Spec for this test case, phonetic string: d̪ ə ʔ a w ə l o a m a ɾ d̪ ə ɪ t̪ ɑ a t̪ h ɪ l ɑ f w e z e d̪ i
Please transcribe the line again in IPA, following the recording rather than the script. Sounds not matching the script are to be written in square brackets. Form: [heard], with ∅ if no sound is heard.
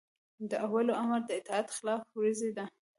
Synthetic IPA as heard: d̪ ə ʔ a w [a] l o a m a ɾ d̪ ə ɪ t̪ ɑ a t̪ [x] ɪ l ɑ f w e z e d̪ [a]